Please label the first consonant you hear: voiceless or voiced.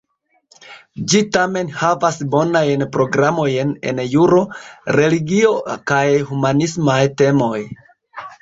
voiced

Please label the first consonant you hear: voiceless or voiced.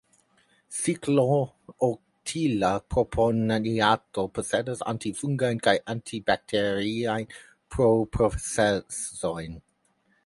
voiceless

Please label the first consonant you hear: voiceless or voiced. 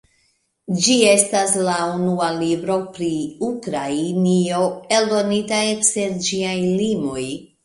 voiced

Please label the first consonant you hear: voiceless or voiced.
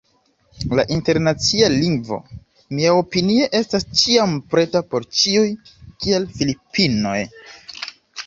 voiced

